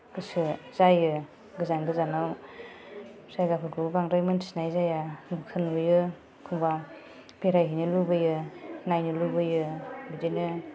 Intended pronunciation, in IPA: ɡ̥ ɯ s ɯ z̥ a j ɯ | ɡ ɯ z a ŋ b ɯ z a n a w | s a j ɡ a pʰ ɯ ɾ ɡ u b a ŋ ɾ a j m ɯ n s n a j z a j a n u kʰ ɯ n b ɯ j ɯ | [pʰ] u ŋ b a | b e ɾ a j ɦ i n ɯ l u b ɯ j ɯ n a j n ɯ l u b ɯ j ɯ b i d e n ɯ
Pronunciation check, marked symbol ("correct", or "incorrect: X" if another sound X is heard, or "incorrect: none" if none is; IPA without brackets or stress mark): incorrect: kʰ